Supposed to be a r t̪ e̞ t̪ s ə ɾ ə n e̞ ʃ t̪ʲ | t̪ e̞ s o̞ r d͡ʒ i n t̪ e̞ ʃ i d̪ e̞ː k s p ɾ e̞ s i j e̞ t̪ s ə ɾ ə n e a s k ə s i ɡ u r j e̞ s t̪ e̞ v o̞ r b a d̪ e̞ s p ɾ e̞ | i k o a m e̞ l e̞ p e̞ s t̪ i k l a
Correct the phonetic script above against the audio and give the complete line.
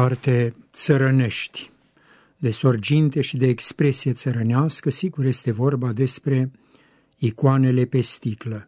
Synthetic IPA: a r t̪ e̞ t̪ s ə ɾ ə n e̞ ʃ t̪ʲ | d̪ e̞ s o̞ r d͡ʒ i n t̪ e̞ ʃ i d̪ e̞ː k s p ɾ e̞ s i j e̞ t̪ s ə ɾ ə n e a s k ə s i ɡ u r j e̞ s t̪ e̞ v o̞ r b a d̪ e̞ s p ɾ e̞ | i k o a n e̞ l e̞ p e̞ s t̪ i k l ə